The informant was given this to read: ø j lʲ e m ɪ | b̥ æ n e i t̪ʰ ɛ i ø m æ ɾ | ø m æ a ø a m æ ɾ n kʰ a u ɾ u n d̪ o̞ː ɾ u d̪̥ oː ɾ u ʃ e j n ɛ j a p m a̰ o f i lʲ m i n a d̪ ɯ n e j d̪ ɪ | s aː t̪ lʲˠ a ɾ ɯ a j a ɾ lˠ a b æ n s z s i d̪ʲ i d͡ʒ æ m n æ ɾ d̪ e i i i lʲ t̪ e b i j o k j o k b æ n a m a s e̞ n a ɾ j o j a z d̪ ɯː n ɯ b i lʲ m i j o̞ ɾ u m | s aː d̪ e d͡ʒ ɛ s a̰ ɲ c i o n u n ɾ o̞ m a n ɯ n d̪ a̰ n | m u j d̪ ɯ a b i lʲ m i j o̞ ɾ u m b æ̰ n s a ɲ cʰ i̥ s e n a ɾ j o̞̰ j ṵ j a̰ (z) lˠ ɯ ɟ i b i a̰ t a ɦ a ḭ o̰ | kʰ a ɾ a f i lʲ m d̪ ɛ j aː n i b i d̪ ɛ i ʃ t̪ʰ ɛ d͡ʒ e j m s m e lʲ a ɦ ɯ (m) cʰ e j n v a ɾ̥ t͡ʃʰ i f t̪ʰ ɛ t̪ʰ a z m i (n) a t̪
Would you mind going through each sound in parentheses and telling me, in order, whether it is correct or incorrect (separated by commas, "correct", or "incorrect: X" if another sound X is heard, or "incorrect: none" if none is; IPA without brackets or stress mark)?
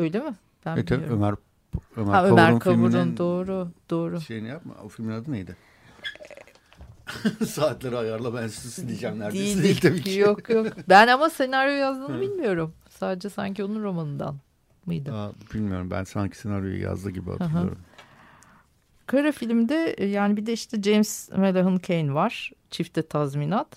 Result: correct, incorrect: n, correct